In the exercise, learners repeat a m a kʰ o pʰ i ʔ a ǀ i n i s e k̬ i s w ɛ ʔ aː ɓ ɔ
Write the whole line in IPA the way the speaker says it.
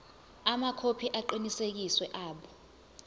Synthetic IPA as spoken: a m a kʰ o pʰ i ʔ a ǃ i n i s e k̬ i s w ɛ ʔ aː ɓ ɔ